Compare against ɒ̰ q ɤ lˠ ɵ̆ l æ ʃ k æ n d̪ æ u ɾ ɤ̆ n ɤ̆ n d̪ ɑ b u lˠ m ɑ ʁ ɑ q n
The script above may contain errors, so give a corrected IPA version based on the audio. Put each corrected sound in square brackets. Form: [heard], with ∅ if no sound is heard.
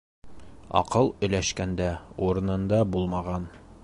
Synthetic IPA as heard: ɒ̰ q ɤ lˠ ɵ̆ l æ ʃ k æ n d̪ æ u ɾ ɤ̆ n ɤ̆ n d̪ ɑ b u lˠ m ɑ ʁ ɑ [∅] n